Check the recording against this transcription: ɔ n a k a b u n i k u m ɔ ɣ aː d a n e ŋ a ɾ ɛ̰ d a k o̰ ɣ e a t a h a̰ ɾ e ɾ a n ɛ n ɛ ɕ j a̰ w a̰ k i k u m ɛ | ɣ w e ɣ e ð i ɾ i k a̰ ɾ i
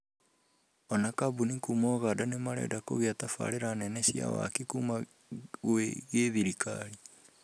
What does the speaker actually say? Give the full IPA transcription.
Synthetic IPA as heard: ɔ n a k a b u n i k u m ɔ ɣ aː d a n e m a ɾ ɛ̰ d a k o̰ ɣ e a t a f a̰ ɾ e ɾ a n ɛ n ɛ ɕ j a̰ w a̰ k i k u m a | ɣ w e ɣ e ð i ɾ i k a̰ ɾ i